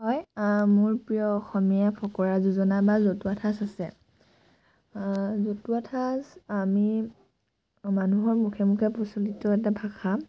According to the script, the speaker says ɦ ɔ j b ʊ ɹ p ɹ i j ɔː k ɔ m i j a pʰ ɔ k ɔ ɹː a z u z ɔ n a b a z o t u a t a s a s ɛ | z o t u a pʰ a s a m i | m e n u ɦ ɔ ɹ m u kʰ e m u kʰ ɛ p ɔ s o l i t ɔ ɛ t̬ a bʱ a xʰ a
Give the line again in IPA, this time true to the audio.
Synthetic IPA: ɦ ɔ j m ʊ ɹ p ɹ i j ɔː x ɔ m i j a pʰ ɔ k ɔ ɹ a z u z ɔ n a b a z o t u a tʰ a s a s ɛ | z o t u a tʰ a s a m i | m a n u ɦ ɔ ɹ m u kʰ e m u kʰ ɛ p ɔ s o l i t ɔ ɛ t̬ a bʱ a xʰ a